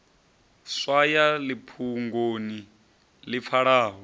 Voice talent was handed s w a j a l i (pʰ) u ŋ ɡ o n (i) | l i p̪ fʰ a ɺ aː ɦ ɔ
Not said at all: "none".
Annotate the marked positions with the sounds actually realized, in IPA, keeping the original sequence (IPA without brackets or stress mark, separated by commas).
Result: pʰ, i